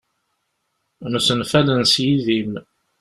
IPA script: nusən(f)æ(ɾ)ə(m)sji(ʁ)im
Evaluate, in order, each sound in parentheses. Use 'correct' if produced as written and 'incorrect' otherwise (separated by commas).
correct, incorrect, incorrect, incorrect